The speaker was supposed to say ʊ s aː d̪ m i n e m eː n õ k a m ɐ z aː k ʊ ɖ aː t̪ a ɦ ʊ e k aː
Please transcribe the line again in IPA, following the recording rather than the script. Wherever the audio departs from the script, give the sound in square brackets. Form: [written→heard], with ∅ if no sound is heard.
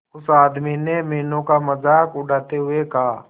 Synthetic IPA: ʊ s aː d̪ m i n e m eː n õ k a m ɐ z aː k ʊ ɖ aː t̪ [a→e] ɦ ʊ e k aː